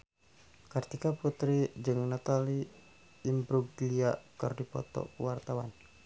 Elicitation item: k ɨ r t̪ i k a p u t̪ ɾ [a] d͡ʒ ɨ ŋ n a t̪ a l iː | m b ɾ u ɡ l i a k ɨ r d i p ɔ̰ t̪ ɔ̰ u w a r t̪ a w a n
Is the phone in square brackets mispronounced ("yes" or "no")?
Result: yes